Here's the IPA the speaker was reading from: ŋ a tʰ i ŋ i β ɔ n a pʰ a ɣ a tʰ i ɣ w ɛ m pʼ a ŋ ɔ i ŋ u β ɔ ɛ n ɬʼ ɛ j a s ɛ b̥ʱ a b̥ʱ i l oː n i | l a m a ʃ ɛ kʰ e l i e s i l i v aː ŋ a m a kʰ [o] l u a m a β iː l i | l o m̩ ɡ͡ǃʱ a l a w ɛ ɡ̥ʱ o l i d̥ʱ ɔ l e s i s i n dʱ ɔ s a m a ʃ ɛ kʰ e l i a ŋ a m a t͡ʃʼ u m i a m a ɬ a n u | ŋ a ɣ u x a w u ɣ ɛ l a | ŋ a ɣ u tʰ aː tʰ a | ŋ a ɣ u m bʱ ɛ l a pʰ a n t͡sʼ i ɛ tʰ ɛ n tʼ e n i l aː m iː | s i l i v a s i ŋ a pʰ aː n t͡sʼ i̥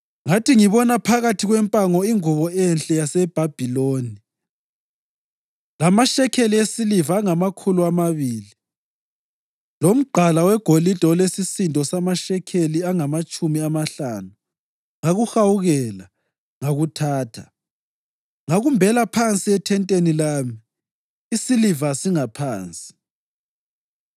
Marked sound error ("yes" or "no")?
yes